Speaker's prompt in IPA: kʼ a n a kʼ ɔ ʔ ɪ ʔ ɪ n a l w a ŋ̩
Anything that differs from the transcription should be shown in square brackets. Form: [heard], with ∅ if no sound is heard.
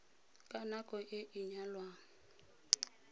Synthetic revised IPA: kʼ a n a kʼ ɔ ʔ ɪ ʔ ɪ [ɲ] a l w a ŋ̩